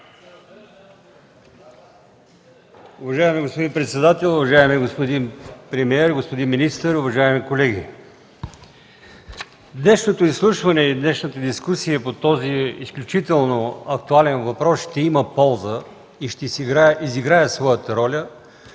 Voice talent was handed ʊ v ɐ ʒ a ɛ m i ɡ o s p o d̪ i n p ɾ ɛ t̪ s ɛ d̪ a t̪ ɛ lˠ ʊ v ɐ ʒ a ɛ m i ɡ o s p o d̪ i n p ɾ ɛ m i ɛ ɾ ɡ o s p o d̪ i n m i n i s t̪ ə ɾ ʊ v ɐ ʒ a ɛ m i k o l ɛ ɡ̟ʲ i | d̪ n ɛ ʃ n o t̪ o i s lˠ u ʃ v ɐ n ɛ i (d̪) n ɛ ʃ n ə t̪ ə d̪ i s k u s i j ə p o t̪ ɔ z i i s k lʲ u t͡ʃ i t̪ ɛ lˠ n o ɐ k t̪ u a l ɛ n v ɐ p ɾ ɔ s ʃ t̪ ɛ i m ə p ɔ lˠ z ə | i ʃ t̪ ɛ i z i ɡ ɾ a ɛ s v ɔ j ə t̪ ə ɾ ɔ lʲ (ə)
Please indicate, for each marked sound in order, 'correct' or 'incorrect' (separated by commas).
correct, correct